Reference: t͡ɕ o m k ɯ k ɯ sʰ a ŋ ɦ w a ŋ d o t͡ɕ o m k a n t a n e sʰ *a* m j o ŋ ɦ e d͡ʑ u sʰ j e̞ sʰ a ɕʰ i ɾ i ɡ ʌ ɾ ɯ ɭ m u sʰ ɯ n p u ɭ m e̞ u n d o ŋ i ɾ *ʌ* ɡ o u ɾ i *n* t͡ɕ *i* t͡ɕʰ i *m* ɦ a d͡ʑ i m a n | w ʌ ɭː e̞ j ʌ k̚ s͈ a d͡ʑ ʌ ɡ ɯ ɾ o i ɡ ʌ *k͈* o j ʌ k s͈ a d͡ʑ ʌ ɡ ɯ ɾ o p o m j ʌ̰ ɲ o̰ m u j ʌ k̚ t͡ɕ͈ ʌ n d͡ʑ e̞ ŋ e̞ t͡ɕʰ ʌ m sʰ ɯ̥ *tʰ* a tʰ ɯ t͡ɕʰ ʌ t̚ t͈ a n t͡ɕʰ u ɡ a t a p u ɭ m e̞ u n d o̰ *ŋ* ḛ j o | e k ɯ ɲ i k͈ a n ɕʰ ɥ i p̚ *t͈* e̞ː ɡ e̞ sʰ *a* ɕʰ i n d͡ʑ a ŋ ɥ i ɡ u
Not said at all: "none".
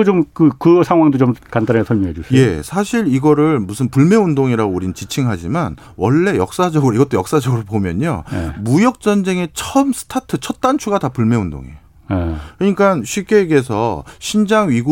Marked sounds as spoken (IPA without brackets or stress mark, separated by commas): ʌ, a, n, i, ŋ, t͈, tʰ, ŋ, k͈, ʌ